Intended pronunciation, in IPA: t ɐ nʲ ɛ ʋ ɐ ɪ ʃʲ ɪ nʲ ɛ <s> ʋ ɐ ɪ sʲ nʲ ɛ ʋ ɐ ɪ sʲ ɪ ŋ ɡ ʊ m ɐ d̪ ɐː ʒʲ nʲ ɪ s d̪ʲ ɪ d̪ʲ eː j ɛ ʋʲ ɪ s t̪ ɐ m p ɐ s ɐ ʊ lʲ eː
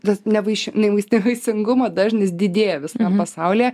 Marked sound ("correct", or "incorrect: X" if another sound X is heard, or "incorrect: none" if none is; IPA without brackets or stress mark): incorrect: none